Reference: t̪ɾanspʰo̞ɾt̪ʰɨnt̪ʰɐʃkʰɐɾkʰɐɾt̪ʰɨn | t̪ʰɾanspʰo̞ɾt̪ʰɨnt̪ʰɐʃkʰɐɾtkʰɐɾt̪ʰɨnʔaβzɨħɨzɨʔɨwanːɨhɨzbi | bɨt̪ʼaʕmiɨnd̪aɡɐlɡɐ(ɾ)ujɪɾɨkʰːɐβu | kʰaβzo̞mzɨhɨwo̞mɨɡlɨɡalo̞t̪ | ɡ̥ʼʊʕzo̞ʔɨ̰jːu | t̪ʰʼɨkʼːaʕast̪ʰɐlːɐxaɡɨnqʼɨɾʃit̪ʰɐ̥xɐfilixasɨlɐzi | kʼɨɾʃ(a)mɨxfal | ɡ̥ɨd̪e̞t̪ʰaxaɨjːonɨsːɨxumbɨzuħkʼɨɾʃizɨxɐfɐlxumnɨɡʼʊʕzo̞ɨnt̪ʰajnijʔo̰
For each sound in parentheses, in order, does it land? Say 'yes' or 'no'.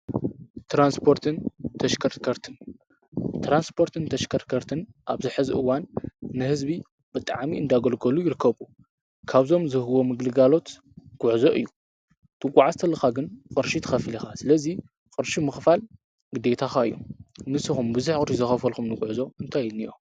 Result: no, no

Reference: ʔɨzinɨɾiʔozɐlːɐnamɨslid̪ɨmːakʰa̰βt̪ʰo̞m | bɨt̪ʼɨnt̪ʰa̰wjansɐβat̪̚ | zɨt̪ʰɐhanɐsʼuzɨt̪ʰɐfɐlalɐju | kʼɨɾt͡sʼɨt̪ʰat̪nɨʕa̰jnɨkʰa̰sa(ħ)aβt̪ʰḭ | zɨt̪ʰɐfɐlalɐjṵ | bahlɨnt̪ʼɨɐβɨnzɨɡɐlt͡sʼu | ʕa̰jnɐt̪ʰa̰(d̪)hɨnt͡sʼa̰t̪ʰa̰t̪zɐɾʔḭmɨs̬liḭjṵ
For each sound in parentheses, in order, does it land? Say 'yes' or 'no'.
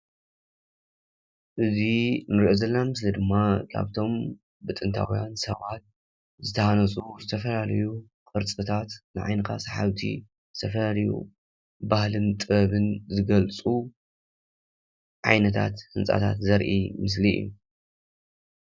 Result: yes, no

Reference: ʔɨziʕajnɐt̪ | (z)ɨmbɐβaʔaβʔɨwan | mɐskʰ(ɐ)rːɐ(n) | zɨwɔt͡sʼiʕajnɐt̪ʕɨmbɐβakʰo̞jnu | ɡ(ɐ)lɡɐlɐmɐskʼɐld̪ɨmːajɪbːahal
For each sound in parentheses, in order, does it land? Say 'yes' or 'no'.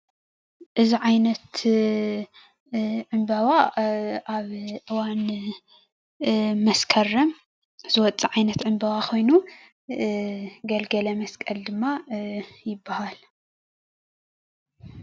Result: no, yes, no, yes

